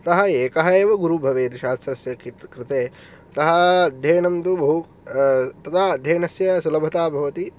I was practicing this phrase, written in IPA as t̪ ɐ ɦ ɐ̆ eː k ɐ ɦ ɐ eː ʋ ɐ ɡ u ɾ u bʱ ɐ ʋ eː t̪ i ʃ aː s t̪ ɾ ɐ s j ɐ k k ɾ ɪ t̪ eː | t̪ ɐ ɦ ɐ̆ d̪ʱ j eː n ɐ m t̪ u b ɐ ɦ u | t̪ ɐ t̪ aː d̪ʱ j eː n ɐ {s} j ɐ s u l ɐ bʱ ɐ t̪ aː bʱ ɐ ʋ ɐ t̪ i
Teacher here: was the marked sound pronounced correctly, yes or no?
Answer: yes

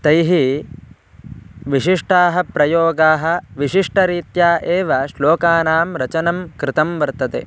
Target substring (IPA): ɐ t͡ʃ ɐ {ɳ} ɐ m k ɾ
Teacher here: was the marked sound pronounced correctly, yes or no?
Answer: no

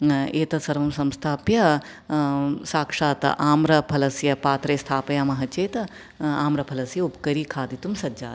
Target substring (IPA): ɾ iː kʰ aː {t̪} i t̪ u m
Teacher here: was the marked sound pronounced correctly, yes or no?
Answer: no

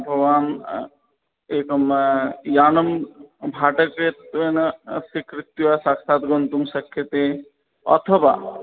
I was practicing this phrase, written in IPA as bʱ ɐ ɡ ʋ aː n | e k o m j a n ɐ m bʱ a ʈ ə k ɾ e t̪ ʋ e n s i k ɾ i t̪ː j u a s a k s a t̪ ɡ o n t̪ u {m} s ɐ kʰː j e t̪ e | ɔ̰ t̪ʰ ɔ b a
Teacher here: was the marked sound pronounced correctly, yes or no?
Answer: yes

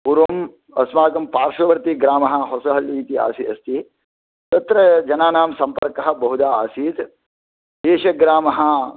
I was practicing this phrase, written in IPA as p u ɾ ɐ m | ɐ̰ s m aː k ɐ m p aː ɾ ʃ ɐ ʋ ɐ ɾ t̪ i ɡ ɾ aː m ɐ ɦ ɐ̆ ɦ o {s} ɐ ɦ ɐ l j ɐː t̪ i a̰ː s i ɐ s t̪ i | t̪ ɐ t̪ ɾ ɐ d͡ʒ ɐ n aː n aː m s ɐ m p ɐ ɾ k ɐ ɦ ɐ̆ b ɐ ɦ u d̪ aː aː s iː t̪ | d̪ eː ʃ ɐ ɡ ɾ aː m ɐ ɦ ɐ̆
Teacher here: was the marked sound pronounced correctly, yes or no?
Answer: yes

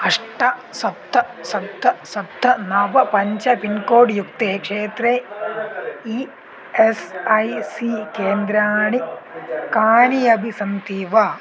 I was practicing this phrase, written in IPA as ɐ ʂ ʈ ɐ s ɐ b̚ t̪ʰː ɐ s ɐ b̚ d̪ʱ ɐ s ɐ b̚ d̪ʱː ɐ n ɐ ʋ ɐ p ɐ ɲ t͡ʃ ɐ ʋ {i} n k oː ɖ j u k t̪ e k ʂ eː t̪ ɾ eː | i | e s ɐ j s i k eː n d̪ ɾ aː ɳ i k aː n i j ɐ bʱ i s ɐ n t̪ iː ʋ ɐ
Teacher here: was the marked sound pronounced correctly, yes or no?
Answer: yes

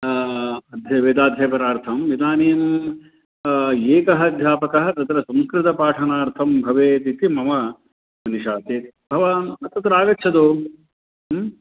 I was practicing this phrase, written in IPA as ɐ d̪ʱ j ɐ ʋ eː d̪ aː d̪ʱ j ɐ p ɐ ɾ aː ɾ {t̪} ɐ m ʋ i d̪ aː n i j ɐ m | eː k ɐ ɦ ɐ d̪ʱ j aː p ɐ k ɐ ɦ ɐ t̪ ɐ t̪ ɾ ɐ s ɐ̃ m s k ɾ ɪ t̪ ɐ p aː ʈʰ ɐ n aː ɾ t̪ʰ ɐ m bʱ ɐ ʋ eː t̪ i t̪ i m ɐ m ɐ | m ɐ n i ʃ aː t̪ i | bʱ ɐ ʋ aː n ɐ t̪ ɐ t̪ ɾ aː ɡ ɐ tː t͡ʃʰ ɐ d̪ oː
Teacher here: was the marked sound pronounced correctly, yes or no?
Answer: no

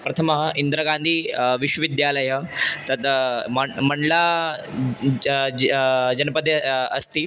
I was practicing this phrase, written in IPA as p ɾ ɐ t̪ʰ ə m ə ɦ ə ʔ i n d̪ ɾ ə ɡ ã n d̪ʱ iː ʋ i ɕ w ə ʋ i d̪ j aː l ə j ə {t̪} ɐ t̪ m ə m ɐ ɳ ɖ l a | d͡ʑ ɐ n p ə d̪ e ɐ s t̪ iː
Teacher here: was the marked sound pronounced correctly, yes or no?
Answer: yes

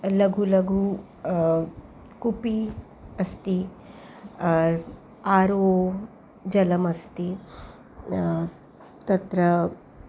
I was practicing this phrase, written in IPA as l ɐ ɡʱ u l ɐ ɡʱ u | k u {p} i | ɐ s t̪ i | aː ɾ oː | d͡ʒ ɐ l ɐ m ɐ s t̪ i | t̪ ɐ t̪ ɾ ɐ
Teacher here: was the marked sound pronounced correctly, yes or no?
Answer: yes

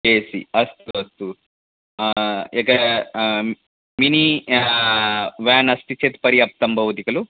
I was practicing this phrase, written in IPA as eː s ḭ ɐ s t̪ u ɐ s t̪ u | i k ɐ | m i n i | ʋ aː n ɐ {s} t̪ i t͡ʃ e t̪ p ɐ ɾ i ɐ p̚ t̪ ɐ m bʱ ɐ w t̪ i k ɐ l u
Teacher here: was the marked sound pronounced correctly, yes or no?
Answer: yes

